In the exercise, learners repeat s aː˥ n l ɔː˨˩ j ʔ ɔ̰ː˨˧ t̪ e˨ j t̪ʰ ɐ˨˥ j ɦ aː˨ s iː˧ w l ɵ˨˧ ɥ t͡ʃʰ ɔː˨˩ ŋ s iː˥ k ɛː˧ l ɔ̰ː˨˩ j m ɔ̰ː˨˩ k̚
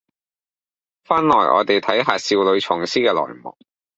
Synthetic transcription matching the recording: f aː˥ n l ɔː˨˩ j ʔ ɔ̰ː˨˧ t̪ e˨ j t̪ʰ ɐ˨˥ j ɦ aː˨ s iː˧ w l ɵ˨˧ ɥ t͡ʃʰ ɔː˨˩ ŋ s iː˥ k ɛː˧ l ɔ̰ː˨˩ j m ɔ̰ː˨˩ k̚

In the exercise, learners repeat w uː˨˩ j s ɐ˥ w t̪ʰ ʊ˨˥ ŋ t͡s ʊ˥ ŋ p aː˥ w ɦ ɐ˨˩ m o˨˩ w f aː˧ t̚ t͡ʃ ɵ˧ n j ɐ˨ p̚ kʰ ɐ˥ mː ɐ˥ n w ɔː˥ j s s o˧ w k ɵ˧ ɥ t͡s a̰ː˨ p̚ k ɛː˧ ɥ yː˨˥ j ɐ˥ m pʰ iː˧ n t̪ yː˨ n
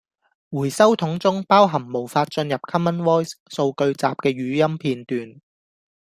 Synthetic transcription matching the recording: w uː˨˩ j s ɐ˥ w t̪ʰ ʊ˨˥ ŋ t͡s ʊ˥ ŋ p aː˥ w ɦ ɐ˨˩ m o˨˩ w f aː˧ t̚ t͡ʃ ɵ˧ n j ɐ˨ p̚ kʰ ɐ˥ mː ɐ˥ n w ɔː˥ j s s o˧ w k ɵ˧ ɥ t͡s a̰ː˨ p̚ k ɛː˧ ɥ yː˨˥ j ɐ˥ m pʰ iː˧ n t̪ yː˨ n

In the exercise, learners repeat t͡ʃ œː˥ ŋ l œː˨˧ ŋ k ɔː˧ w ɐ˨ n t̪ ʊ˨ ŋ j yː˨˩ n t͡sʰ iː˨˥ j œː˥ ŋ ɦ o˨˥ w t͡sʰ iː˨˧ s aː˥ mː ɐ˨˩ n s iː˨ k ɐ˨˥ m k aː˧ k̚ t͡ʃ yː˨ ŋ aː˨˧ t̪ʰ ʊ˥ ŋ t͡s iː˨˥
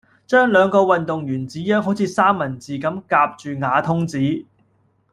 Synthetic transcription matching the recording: t͡ʃ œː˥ ŋ l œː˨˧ ŋ k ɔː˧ w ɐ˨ n t̪ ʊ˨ ŋ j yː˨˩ n t͡s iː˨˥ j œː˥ ŋ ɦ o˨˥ w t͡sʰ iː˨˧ s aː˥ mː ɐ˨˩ n t͡s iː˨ k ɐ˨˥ m k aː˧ p̚ t͡ʃ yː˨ ŋ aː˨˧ t̪ʰ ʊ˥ ŋ t͡s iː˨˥

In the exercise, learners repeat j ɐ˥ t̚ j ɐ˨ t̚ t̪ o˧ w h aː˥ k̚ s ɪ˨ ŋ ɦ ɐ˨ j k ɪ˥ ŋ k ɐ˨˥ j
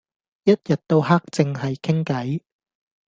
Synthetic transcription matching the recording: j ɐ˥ t̚ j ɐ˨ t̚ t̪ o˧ w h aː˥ k̚ t͡s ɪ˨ ŋ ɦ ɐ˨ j kʰ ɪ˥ ŋ k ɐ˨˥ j

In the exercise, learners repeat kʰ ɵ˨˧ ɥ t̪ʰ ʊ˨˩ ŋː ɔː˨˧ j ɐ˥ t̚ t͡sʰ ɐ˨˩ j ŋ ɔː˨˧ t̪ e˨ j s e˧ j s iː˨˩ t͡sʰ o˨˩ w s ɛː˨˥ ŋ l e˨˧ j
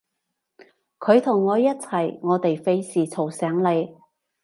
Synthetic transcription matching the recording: kʰ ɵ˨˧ ɥ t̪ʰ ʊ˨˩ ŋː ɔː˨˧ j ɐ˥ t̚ t͡sʰ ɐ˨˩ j ŋ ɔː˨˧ t̪ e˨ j f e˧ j s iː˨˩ t͡sʰ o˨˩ w s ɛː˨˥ ŋ l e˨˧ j

